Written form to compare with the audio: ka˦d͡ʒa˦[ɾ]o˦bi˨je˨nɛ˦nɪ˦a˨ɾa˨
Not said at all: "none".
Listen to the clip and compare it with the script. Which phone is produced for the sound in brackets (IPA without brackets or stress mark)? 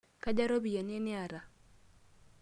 ɾ